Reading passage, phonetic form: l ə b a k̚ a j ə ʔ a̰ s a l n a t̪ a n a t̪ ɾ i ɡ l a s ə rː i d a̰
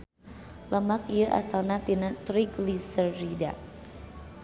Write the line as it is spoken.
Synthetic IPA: l ə m a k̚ i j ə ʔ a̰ s a l n a t̪ i n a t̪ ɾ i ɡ l i s ə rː i d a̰